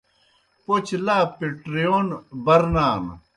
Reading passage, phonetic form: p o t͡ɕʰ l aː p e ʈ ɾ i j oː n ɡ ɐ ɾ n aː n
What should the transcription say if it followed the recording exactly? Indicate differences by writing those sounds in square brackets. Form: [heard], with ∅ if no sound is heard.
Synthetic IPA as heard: p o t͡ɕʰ l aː p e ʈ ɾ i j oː n [b] ɐ ɾ n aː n